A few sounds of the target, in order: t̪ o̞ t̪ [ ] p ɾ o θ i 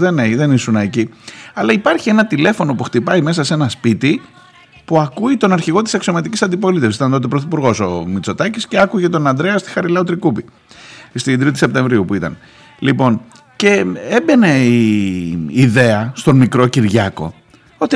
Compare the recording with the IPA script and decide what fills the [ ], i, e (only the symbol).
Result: e